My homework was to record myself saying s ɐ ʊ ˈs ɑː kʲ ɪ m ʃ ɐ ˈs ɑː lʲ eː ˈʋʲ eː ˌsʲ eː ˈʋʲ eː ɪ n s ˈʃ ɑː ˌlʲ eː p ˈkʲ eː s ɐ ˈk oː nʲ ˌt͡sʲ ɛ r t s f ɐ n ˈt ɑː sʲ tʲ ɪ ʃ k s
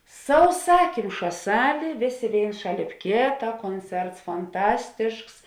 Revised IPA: s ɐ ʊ ˈs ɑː kʲ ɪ m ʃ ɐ ˈs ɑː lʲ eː ˈʋʲ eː ˌsʲ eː ˈʋʲ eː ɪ n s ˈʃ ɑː ˌlʲ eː p ˈkʲ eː t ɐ ˈk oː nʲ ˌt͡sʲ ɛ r t s f ɐ n ˈt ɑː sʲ tʲ ɪ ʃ k s